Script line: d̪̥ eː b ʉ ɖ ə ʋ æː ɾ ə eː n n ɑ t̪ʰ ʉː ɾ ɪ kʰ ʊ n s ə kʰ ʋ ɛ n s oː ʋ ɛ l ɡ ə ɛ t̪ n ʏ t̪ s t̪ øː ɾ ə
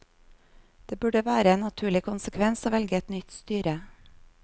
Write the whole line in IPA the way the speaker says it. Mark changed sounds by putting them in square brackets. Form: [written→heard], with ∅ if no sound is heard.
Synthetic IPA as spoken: d̪̥ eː b ʉ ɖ ə ʋ æː ɾ ə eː n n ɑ t̪ʰ ʉː [ɾ→ɭ] ɪ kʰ ʊ n s ə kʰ ʋ ɛ n s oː ʋ ɛ l ɡ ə ɛ t̪ n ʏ t̪ s t̪ [øː→yː] ɾ ə